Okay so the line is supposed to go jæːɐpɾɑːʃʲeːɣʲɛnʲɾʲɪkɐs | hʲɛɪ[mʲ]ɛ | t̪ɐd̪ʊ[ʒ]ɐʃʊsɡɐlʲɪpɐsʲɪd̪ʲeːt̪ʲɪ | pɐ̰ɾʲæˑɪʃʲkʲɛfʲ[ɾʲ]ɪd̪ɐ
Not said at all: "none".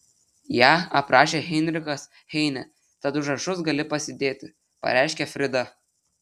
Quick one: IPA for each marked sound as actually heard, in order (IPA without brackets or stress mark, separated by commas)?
nʲ, ʒ, ɾʲ